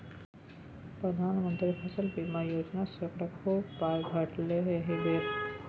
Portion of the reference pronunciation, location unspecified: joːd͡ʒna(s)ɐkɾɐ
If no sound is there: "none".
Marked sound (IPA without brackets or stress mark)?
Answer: s